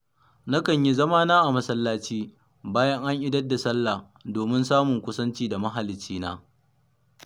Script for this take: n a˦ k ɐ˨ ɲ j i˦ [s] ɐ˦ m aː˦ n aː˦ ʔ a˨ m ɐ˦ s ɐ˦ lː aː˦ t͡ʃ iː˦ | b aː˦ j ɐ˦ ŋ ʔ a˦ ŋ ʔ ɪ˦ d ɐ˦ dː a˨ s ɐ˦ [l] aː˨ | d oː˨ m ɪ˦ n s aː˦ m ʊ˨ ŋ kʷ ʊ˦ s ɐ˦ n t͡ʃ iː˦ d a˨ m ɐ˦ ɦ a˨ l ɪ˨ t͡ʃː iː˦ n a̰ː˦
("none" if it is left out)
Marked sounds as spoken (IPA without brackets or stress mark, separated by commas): z, lː